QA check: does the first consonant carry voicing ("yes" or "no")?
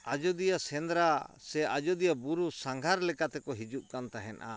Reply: yes